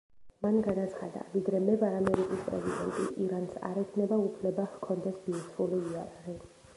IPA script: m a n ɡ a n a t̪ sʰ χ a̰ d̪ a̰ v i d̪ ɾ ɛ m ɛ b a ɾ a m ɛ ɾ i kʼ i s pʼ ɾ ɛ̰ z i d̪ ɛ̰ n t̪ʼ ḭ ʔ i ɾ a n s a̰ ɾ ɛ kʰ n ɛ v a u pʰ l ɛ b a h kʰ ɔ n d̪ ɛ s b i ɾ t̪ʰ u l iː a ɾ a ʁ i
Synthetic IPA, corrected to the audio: m a n ɡ a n a t̪ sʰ χ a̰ d̪ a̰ v i d̪ ɾ ɛ m ɛ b a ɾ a m ɛ ɾ i kʼ i s pʼ ɾ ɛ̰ z i d̪ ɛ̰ n t̪ʼ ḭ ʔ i ɾ a n s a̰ ɾ ɛ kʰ n ɛ b a u pʰ l ɛ b a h kʰ ɔ n d̪ ɛ s b i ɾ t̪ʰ u l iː a ɾ a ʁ i